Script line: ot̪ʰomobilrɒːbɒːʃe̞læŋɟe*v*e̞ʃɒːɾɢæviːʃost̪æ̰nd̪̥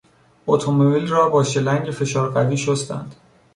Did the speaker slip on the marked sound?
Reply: yes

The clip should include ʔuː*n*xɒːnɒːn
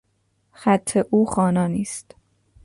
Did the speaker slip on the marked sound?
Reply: yes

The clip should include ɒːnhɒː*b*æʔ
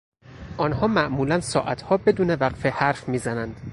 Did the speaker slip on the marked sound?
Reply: yes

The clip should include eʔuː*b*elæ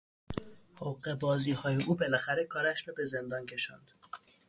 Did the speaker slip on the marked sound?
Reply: no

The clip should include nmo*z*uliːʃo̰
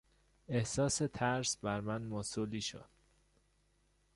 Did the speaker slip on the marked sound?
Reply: yes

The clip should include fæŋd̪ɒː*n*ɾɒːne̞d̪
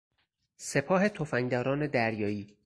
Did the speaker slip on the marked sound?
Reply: yes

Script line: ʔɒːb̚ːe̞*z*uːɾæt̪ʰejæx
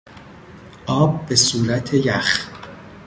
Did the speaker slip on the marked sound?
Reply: yes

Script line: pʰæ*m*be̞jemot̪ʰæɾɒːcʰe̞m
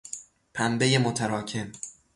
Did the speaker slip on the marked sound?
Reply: no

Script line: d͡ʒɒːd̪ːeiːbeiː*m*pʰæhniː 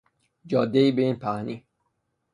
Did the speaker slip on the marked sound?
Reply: yes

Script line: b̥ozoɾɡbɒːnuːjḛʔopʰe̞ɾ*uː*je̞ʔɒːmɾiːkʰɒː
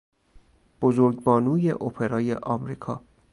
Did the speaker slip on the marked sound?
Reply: yes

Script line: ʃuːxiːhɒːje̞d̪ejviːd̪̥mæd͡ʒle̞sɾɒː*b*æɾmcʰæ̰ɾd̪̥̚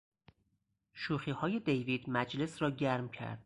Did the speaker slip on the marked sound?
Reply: yes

